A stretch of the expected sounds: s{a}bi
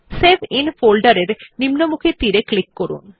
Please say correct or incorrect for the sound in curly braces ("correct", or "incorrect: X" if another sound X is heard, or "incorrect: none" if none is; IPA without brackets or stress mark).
incorrect: e